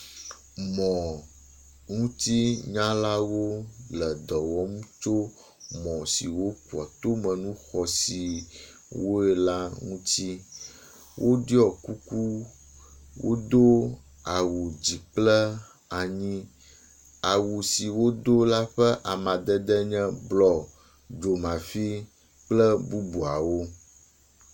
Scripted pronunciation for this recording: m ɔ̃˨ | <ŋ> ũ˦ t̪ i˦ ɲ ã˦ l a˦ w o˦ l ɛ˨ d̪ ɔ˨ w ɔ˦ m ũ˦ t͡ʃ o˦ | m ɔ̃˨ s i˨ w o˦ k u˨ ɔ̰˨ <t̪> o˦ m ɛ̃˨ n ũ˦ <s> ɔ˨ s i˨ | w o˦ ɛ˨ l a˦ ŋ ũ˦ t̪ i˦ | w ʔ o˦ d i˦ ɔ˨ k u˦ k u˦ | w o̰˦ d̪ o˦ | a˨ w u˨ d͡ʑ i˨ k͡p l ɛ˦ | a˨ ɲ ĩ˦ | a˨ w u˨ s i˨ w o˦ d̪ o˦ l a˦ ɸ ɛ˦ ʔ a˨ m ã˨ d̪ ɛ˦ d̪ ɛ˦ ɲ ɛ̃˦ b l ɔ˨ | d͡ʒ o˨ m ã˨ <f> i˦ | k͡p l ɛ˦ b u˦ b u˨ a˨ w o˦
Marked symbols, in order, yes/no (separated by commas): yes, yes, no, yes